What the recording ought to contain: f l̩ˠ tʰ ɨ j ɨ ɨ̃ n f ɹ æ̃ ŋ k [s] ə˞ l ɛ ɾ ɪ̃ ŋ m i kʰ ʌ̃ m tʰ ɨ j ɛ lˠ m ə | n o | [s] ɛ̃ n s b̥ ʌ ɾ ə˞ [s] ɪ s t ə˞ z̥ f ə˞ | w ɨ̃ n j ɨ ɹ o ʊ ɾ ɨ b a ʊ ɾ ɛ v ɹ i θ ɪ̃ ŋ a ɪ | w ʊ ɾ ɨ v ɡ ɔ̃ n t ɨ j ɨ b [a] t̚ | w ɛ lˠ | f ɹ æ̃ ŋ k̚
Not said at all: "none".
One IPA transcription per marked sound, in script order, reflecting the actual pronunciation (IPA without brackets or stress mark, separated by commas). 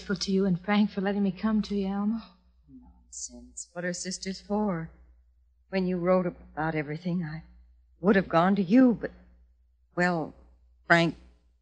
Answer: f, s, s, ʌ